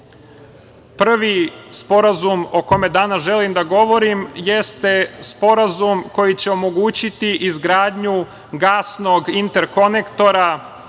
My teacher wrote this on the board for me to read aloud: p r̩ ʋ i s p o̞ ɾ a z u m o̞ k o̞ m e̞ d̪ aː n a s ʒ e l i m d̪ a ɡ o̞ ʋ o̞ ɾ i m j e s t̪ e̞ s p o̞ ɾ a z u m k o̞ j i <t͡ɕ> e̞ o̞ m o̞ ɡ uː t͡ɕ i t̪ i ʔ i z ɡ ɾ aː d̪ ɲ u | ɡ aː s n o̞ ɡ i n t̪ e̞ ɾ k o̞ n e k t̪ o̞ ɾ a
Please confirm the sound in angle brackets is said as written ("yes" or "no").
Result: yes